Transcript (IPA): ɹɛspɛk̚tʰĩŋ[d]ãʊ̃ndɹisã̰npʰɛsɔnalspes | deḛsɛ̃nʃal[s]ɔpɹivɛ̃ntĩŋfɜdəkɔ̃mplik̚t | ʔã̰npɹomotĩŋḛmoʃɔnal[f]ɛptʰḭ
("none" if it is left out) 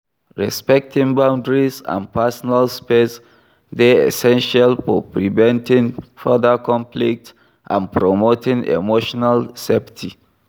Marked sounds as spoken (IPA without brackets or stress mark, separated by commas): b, f, s